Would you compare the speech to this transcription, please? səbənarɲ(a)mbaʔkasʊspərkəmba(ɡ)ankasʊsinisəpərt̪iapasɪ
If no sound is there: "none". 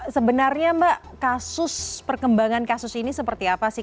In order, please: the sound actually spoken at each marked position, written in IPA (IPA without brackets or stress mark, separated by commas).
a, ŋ